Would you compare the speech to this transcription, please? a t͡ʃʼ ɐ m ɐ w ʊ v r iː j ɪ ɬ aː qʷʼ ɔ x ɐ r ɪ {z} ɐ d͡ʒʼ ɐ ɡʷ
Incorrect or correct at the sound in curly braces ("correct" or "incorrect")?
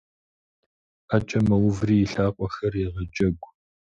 incorrect